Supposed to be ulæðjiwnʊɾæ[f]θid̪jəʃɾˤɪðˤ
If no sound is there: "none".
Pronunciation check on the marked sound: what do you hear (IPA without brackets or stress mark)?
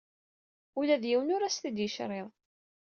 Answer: s